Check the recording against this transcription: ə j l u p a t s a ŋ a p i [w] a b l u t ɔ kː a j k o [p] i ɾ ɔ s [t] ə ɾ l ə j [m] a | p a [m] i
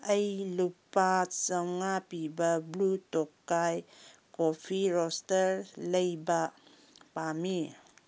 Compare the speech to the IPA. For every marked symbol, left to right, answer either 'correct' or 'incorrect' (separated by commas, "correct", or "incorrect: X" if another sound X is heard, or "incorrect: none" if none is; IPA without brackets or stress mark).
incorrect: b, incorrect: pʰ, correct, incorrect: b, correct